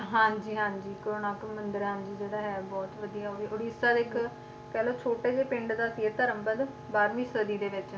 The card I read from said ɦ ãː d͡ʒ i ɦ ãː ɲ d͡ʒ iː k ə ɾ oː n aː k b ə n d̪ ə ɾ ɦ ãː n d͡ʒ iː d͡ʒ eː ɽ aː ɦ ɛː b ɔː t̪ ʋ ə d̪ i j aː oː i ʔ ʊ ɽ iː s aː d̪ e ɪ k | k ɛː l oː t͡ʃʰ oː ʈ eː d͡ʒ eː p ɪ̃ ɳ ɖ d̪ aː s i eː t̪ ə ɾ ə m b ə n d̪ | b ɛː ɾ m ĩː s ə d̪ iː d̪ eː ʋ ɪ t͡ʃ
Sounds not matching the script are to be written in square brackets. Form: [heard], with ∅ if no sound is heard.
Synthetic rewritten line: ɦ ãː d͡ʒ [iː] ɦ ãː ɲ d͡ʒ iː k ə ɾ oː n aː k [m] ə n d̪ ə ɾ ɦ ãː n d͡ʒ iː d͡ʒ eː ɽ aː ɦ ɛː b ɔː t̪ ʋ ə d̪ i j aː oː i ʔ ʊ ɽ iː s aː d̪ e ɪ k | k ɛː l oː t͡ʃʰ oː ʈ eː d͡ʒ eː p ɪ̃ ɳ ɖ d̪ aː s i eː t̪ ə ɾ ə m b ə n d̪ | b [aː] ɾ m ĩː s ə d̪ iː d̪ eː ʋ ɪ t͡ʃ